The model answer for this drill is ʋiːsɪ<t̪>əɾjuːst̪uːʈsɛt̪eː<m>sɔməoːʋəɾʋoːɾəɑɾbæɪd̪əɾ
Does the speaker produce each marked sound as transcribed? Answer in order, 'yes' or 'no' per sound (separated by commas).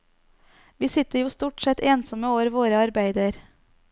yes, no